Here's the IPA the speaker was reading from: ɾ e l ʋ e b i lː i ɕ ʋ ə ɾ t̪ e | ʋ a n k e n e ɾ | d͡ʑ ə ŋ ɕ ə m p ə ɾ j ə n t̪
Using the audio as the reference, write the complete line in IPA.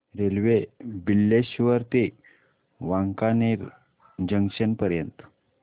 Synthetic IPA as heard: ɾ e l ʋ e b i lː e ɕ ʋ ə ɾ t̪ e | ʋ a ŋ k a n e ɾ | d͡ʑ ə ŋ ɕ ə n p ə ɾ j ə n t̪